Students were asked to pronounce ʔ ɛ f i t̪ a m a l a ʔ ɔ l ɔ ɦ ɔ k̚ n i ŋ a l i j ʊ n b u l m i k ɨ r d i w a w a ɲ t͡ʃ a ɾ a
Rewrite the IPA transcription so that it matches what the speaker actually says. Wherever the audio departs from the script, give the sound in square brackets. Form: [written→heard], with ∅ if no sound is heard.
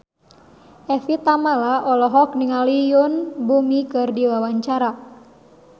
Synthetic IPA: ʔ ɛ f i t̪ a m a l a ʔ ɔ l ɔ ɦ ɔ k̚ n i ŋ a l i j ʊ n b u [l→∅] m i k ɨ r d i w a w a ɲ t͡ʃ a ɾ a